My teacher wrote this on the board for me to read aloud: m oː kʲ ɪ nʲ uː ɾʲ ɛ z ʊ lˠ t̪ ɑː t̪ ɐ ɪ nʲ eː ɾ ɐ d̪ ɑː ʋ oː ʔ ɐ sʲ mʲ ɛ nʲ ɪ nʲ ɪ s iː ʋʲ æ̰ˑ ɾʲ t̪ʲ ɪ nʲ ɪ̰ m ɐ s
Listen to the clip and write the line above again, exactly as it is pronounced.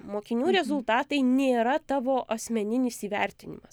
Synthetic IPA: m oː kʲ ɪ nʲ uː ɾʲ ɛ z ʊ lˠ t̪ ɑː t̪ ɐ ɪ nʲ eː ɾ ɐ t̪ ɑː ʋ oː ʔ ɐ sʲ mʲ ɛ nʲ ɪ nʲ ɪ s iː ʋʲ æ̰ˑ ɾʲ t̪ʲ ɪ nʲ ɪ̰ m ɐ s